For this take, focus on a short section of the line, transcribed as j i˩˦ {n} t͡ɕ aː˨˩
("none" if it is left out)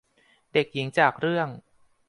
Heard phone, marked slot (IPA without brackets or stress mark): ŋ